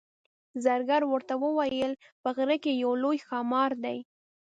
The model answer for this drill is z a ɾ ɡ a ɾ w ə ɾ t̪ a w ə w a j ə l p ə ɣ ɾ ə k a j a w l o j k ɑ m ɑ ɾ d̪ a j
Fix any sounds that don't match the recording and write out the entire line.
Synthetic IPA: z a ɾ ɡ a ɾ w ə ɾ t̪ a w ə w a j ə l p ə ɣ ɾ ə k e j a w l o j x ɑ m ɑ ɾ d̪ a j